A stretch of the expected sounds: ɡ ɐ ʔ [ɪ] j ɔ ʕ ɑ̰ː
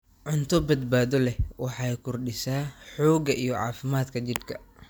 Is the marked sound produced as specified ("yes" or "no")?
no